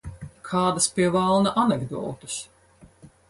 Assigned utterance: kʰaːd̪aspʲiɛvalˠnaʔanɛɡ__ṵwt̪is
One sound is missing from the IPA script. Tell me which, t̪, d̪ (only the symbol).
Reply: d̪